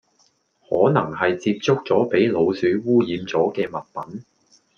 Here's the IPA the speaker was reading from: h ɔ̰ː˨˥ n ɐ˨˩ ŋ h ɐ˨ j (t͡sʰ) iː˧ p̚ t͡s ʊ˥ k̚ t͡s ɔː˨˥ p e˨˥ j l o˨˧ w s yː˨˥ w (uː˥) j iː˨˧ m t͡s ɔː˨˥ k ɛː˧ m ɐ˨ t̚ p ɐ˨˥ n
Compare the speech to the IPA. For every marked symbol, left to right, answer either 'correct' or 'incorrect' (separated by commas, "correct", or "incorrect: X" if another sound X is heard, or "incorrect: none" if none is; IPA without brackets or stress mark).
incorrect: t͡s, correct